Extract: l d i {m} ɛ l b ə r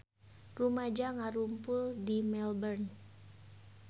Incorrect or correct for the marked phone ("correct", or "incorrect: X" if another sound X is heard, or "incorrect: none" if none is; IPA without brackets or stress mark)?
correct